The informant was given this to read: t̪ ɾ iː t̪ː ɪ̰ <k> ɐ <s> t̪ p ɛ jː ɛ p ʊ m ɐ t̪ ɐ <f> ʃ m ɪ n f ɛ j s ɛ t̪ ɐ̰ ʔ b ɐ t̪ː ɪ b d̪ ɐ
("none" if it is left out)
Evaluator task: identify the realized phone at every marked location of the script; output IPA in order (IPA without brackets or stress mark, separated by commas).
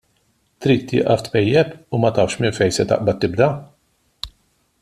ʔ, f, f